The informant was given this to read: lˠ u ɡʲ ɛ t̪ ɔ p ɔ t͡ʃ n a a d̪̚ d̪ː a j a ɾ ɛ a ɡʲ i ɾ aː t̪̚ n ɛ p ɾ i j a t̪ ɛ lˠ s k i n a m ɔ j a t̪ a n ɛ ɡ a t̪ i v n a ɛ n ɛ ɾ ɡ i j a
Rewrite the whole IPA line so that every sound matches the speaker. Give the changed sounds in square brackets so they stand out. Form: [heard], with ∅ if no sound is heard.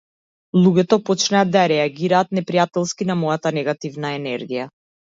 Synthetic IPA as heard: lˠ u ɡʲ ɛ t̪ ɔ p ɔ t͡ʃ n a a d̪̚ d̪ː a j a ɾ ɛ a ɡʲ i ɾ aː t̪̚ n ɛ p ɾ i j a t̪ ɛ lˠ s k i n a m ɔ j a t̪ a n ɛ ɡ a t̪ i v n a ɛ n ɛ ɾ ɡ i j a